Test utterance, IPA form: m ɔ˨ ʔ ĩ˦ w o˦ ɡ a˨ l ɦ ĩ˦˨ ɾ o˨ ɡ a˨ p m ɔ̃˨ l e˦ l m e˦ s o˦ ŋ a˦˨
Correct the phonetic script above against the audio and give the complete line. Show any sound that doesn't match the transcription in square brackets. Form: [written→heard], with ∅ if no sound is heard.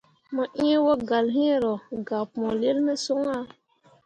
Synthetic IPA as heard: m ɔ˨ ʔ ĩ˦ w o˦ ɡ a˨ l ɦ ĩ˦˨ ɾ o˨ ɡ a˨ p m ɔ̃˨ l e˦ l m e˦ s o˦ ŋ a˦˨